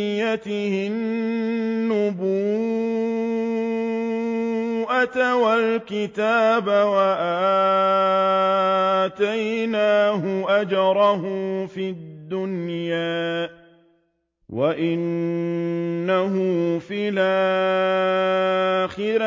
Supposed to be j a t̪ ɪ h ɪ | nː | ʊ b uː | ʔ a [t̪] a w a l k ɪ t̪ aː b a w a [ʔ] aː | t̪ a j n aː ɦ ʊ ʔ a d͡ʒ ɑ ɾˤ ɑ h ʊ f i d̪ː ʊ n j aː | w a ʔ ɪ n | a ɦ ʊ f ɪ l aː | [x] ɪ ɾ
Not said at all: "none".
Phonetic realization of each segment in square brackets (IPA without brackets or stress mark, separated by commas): t̪, ʔ, x